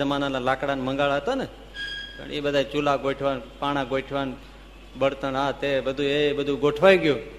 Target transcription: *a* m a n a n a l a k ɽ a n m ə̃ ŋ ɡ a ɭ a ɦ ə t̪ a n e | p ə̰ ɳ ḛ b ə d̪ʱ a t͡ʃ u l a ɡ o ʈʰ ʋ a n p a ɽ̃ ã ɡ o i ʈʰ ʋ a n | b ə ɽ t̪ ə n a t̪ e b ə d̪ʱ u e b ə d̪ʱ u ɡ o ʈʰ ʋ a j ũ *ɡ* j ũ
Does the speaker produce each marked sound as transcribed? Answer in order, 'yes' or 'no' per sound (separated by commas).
no, yes